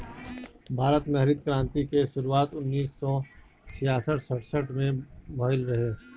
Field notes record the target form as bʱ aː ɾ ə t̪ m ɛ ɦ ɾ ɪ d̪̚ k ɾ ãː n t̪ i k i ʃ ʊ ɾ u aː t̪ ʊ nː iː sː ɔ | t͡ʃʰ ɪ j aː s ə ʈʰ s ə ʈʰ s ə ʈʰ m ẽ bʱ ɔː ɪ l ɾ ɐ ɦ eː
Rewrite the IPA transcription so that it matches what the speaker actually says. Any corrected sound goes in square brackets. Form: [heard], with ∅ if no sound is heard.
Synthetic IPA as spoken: bʱ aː ɾ ə t̪ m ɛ ɦ ɾ ɪ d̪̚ k ɾ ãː n t̪ i k [e] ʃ ʊ ɾ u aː t̪ ʊ nː iː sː ɔ | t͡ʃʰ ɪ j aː s ə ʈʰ s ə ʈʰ s ə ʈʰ m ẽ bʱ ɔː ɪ l ɾ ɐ ɦ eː